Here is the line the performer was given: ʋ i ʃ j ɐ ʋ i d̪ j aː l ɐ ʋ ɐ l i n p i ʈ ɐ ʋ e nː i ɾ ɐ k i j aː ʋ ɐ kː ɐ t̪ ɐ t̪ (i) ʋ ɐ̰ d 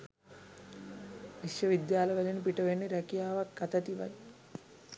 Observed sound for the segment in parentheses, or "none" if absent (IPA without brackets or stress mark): i